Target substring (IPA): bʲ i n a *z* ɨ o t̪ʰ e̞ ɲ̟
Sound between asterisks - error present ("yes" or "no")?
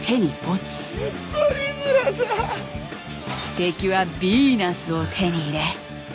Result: yes